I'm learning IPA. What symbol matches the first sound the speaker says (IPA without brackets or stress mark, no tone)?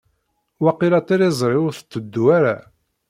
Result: w